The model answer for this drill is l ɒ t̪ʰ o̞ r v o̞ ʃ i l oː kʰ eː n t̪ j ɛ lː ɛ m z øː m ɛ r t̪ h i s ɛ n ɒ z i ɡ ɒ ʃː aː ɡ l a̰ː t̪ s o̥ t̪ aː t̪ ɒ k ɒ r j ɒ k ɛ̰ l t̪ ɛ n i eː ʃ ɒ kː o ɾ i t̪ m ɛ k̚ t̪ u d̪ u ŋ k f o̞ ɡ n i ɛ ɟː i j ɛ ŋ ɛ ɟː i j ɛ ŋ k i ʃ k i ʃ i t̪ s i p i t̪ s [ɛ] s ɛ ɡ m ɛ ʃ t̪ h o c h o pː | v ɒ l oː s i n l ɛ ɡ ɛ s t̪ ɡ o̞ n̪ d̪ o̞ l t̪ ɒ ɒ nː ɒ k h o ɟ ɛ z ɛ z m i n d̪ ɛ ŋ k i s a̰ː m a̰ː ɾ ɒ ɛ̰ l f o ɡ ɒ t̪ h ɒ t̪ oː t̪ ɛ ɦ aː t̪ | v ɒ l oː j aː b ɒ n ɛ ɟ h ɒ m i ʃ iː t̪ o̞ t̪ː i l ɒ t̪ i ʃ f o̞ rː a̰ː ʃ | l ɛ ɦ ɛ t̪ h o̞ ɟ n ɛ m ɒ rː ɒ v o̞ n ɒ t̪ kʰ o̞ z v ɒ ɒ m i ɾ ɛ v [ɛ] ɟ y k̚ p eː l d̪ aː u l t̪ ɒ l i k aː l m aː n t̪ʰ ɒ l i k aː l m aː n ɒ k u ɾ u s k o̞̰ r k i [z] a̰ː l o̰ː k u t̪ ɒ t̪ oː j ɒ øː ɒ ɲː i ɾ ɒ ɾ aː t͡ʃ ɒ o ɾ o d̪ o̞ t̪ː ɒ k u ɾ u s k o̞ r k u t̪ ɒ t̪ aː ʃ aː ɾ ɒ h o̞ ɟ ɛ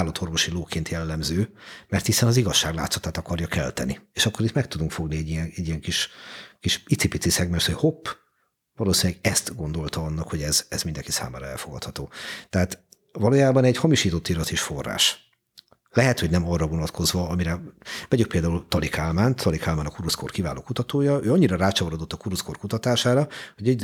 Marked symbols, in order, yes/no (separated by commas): no, yes, no